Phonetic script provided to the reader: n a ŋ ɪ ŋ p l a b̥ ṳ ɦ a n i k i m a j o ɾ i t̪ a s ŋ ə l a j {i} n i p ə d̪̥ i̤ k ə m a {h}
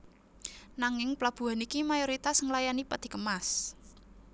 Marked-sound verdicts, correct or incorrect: incorrect, incorrect

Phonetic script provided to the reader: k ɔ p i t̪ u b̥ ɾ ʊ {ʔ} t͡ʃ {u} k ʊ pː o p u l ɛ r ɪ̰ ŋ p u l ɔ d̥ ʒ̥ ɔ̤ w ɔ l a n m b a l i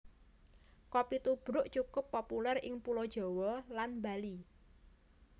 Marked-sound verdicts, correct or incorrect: correct, correct

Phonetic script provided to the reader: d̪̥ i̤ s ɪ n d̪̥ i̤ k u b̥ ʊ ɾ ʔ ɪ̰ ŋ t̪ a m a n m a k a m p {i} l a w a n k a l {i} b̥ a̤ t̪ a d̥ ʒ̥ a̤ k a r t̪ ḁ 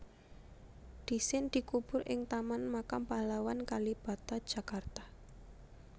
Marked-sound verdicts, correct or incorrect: incorrect, correct

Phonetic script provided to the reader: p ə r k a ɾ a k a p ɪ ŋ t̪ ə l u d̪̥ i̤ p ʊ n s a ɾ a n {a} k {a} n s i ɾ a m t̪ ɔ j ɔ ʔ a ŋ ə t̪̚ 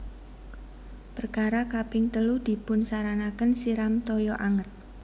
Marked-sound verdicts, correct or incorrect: correct, incorrect

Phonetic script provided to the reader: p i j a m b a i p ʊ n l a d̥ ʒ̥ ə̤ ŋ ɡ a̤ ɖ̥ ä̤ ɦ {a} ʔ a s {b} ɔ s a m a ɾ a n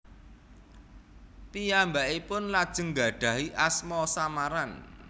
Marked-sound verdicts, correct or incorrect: incorrect, incorrect

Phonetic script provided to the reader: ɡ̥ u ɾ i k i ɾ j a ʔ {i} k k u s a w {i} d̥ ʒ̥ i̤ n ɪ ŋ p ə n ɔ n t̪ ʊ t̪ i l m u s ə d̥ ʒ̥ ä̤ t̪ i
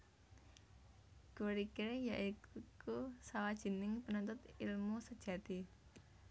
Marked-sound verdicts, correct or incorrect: correct, incorrect

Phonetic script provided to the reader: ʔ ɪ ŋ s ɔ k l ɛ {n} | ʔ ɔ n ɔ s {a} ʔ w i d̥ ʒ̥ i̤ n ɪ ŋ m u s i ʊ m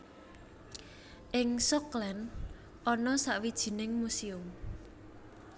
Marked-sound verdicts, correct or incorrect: correct, correct

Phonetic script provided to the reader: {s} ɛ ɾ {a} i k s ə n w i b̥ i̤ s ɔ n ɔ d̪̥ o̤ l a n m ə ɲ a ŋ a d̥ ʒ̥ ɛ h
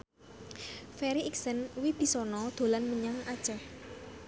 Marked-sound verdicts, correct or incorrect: incorrect, incorrect

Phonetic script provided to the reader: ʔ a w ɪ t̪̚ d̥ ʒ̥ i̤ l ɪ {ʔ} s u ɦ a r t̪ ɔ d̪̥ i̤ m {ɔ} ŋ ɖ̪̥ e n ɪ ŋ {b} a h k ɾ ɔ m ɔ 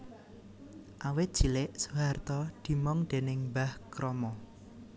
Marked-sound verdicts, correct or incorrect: correct, correct, correct

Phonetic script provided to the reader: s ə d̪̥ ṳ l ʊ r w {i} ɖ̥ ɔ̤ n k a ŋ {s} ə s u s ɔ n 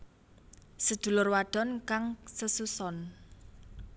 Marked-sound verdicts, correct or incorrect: incorrect, correct

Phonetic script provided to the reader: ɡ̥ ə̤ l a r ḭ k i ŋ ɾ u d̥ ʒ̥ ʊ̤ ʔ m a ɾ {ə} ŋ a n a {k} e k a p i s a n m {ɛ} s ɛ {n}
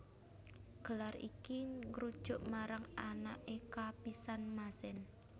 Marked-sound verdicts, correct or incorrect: incorrect, incorrect, incorrect, correct

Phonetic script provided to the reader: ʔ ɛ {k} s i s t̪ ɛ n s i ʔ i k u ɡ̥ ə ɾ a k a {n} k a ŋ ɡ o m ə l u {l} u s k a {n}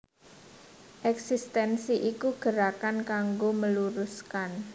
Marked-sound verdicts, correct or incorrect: correct, correct, incorrect, correct

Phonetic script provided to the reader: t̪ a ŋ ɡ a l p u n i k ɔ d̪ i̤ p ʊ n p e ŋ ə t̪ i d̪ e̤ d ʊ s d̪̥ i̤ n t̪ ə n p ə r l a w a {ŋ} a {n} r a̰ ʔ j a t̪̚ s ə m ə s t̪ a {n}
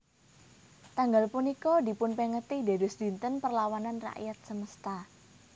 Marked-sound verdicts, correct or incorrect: incorrect, correct, incorrect

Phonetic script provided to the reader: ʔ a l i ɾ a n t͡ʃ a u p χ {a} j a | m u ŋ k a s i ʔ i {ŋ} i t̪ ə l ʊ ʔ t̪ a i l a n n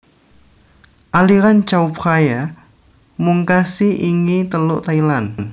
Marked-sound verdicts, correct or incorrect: correct, correct

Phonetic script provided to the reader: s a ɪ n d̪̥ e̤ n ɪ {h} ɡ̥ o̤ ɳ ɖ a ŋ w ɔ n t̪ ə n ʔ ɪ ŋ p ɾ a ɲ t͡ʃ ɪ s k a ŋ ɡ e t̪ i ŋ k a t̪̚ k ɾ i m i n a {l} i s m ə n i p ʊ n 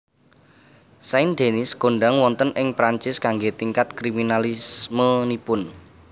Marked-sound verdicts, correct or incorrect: incorrect, correct

